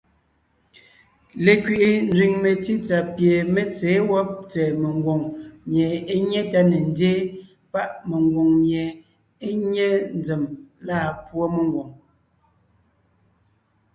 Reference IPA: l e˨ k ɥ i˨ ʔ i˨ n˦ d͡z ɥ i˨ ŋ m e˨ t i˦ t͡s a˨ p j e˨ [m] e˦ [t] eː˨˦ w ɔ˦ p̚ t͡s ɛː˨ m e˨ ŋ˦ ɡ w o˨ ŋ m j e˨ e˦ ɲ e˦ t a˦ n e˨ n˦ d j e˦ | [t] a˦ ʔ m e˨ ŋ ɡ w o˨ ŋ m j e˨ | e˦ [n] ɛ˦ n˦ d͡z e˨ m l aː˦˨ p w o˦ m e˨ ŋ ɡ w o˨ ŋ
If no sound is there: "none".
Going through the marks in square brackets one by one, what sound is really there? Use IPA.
m, t͡s, p, ɲ

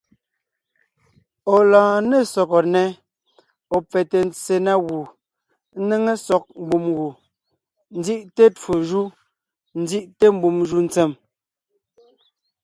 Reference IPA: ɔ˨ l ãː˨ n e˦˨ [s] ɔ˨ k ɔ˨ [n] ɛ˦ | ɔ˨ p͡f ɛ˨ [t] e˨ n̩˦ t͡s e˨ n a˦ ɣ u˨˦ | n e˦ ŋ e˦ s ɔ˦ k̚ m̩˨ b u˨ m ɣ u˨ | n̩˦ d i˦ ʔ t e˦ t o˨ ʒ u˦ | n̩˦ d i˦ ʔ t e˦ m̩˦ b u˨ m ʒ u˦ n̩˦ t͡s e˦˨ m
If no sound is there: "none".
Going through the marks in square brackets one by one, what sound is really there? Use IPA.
s, n, t

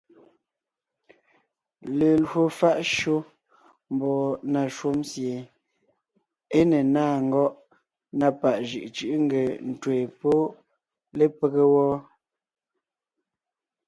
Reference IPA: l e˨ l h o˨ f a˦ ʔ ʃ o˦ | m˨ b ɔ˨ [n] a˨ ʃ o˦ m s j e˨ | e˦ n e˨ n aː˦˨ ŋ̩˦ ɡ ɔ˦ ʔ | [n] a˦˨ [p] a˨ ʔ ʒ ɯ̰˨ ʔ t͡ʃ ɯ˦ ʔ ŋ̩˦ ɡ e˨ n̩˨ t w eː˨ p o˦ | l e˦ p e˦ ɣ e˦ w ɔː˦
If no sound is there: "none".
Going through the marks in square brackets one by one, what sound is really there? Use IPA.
n, n, p

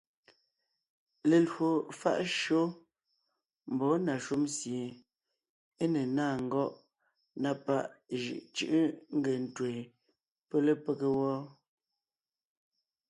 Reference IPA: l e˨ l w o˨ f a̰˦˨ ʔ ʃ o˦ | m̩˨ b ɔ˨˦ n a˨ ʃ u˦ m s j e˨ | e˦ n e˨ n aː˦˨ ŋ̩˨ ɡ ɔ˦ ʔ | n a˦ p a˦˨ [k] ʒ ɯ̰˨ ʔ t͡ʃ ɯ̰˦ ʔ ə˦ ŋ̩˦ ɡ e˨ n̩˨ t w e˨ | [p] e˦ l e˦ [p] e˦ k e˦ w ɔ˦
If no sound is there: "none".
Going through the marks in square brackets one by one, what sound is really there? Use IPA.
ʔ, p, p

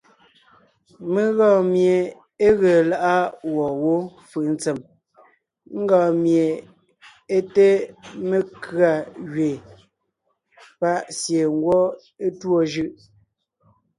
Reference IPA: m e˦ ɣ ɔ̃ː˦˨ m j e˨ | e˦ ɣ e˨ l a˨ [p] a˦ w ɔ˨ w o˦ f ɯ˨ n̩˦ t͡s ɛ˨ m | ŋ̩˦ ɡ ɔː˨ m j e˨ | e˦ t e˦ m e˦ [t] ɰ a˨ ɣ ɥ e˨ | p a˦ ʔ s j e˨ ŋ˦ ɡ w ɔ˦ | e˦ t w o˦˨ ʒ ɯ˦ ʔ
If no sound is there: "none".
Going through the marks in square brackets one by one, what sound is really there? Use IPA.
ʔ, k

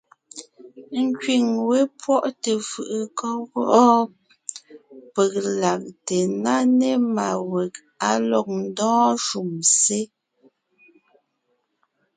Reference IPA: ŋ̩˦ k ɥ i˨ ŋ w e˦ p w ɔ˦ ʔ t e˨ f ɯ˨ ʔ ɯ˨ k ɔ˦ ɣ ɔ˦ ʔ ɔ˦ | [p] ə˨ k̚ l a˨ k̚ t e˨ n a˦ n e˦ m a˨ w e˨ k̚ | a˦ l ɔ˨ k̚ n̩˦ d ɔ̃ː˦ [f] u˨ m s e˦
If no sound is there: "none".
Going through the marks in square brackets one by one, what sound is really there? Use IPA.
p, ʃ

